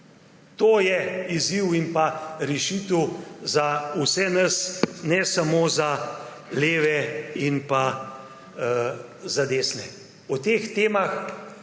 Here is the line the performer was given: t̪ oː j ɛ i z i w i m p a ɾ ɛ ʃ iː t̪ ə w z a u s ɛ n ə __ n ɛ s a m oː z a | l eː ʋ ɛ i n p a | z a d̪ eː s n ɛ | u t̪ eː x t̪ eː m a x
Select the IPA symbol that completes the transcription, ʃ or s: s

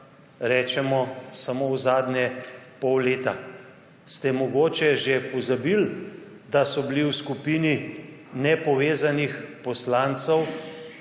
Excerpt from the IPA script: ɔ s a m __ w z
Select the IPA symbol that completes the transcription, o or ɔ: o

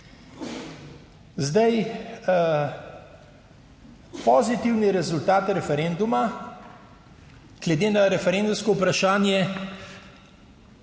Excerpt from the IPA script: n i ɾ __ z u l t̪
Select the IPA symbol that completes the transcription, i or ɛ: ɛ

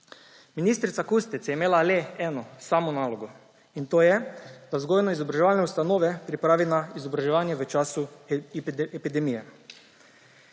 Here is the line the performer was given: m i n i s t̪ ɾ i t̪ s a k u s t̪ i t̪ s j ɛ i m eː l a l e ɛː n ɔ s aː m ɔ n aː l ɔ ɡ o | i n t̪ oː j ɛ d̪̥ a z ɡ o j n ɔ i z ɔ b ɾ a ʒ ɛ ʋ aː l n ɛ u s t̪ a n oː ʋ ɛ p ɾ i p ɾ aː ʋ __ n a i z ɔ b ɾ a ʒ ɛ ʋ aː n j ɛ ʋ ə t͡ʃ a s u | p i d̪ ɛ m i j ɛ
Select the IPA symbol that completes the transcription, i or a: i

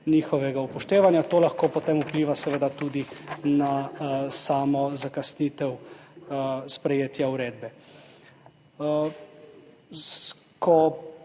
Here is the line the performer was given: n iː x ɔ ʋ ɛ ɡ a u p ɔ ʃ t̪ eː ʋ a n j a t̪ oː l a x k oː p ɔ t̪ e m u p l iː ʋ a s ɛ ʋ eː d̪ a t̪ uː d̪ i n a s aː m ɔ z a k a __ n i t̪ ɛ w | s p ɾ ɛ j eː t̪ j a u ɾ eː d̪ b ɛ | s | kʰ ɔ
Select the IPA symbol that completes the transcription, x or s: s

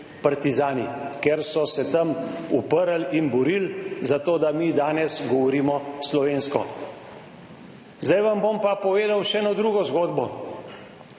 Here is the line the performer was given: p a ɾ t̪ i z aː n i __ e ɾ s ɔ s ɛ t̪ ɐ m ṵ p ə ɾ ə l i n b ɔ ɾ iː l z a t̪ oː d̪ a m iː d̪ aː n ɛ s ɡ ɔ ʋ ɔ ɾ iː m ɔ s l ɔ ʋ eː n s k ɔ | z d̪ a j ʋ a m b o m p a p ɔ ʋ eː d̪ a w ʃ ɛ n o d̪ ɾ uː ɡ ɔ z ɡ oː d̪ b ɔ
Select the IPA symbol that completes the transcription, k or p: k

